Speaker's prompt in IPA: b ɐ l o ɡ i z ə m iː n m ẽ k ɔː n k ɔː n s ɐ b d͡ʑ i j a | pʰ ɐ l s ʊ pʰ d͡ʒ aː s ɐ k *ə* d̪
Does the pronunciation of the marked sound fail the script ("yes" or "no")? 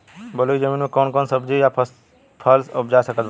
no